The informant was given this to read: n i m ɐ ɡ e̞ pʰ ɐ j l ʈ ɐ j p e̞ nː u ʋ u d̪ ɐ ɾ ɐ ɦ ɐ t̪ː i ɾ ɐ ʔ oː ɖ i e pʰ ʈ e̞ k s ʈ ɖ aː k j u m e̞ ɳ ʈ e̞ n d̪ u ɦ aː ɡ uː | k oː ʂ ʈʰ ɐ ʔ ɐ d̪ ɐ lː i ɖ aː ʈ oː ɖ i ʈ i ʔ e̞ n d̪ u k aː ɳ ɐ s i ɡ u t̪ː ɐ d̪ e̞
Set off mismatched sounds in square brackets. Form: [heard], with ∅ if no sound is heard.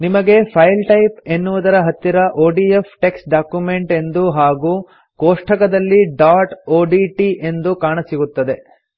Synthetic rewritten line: n i m ɐ ɡ e̞ pʰ ɐ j l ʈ ɐ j p e̞ nː u ʋ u d̪ ɐ ɾ ɐ ɦ ɐ t̪ː i ɾ ɐ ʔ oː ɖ i e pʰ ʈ e̞ k s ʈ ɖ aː k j u m e̞ ɳ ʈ e̞ n d̪ u ɦ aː ɡ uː | k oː ʂ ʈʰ ɐ [k] ɐ d̪ ɐ lː i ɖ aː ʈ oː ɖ i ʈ i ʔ e̞ n d̪ u k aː ɳ ɐ s i ɡ u t̪ː ɐ d̪ e̞